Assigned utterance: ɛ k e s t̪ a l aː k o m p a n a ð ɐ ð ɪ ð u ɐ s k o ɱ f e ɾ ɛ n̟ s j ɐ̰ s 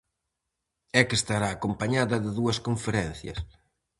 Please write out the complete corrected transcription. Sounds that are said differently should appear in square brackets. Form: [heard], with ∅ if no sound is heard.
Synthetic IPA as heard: ɛ k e s t̪ a [ɾ] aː k o m p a [ɲ] a ð ɐ ð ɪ ð u ɐ s k o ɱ f e ɾ ɛ n̟ [θ] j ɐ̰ s